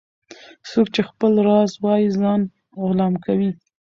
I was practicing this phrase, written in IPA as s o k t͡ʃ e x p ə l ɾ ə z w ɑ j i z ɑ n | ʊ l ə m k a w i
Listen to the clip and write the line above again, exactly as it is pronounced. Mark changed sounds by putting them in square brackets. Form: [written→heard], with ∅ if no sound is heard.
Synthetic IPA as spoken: s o k t͡ʃ e x p ə l ɾ [ə→ɑ] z w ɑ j i z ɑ n | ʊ l [ə→ɑ] m k a w i